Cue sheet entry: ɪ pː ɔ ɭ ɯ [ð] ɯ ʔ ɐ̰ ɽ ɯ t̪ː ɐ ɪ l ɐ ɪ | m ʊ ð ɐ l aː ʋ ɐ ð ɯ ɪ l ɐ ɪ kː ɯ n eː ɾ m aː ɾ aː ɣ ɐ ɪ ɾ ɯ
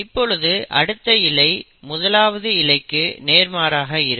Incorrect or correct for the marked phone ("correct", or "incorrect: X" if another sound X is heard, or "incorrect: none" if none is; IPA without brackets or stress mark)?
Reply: correct